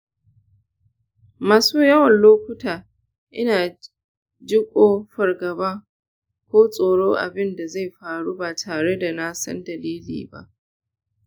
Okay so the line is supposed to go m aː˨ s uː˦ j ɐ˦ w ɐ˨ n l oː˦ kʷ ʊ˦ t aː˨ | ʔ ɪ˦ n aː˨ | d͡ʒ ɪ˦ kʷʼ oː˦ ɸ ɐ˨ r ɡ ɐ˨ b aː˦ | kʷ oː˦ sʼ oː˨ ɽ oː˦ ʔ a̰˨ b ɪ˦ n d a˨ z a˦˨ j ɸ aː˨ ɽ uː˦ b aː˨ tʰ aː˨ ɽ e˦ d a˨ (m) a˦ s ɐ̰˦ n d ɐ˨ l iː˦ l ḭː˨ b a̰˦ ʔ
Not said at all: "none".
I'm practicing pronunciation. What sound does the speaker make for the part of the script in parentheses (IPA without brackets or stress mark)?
n